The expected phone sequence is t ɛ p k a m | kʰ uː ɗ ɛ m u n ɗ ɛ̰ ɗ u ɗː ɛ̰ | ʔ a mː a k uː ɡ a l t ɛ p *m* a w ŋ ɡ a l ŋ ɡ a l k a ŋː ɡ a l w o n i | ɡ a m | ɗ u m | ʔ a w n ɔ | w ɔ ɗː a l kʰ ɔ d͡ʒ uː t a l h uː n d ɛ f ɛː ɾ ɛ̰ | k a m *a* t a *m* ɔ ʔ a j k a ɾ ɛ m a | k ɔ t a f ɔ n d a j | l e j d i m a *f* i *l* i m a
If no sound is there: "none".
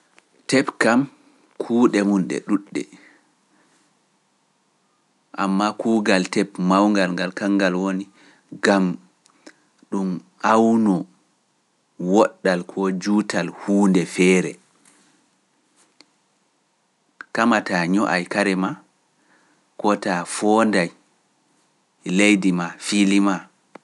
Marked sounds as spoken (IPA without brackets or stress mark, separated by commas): m, a, ɲ, f, l